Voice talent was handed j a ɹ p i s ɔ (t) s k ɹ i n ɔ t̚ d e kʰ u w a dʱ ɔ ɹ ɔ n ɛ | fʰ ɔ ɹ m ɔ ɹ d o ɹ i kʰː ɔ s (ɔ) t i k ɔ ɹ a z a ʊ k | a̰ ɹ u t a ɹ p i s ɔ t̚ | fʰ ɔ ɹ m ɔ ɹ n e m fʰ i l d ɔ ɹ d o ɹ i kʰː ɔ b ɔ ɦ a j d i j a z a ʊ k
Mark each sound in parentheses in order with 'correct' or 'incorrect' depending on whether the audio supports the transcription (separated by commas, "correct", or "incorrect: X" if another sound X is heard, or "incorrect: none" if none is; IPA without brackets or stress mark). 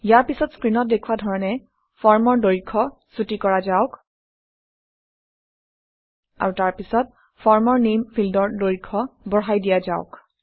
correct, incorrect: u